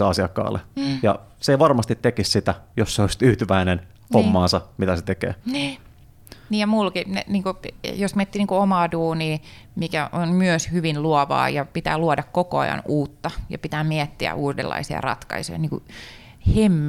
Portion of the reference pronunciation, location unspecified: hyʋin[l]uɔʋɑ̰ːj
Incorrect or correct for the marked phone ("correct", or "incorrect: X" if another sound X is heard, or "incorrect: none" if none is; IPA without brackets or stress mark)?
correct